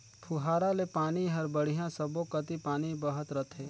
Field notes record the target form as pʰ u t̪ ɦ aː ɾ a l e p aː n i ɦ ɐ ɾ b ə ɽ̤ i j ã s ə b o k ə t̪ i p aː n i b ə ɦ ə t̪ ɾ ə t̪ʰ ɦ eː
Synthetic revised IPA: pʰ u ɦ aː ɾ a l e p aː n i ɦ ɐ ɾ b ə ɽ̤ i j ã s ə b o k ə t̪ i p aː n i b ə ɦ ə t̪ ɾ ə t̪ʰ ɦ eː